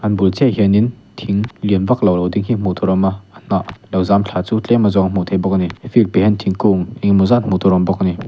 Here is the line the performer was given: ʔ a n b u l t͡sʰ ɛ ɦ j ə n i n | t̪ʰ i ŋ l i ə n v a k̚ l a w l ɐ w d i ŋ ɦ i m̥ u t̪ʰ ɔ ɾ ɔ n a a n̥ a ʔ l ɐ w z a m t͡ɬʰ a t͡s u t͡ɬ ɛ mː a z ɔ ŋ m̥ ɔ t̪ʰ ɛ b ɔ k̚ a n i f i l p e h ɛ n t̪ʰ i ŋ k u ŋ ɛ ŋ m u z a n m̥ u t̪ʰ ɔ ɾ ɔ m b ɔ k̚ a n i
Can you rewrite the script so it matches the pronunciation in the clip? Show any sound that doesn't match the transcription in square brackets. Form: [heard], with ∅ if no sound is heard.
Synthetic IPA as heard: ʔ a n b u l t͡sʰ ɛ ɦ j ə n i n | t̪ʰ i ŋ l i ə n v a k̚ l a w l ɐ w d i ŋ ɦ i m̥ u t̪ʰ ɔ ɾ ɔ [m] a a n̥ a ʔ l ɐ w z a m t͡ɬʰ a t͡s u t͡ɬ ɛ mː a z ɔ ŋ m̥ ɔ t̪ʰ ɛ b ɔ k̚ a n i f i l p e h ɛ n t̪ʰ i ŋ k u ŋ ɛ ŋ m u z a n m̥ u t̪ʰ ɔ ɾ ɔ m b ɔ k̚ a n i